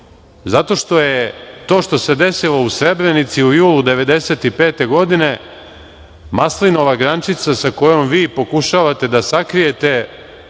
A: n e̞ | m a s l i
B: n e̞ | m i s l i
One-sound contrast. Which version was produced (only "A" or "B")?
A